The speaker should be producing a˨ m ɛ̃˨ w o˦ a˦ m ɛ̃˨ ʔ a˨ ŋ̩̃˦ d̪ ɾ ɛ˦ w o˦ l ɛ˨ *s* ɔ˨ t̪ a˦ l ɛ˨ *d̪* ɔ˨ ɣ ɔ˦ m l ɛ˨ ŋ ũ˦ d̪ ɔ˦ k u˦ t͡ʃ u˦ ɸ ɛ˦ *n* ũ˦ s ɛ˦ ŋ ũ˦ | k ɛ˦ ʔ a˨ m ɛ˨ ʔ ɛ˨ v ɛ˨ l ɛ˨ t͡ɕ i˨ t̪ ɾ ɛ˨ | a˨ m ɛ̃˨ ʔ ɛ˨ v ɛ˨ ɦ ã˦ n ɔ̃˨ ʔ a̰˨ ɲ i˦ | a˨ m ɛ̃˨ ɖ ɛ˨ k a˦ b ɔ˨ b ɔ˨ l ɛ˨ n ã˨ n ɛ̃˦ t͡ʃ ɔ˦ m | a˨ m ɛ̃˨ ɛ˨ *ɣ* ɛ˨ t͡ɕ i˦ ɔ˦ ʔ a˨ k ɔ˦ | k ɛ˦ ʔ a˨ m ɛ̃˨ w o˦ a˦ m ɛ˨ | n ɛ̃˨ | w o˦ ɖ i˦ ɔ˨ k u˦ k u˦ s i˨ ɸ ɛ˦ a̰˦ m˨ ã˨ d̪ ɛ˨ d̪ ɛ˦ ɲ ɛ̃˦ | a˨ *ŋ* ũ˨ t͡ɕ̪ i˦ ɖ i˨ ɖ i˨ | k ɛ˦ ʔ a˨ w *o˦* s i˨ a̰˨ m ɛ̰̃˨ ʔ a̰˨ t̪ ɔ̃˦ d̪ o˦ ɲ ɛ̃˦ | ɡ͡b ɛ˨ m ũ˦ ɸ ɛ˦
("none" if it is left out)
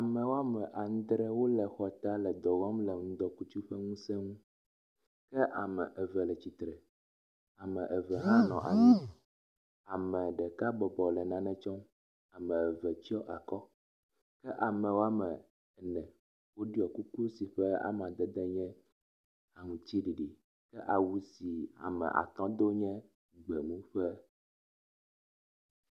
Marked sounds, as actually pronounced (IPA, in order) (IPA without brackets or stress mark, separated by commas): x, d̪, ŋ, v, ŋ, u˦